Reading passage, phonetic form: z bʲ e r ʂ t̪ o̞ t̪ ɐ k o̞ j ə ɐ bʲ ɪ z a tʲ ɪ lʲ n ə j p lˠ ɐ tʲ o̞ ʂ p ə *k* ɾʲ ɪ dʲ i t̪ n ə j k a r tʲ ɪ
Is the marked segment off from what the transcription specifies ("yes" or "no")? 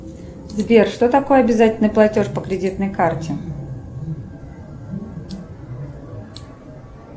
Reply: no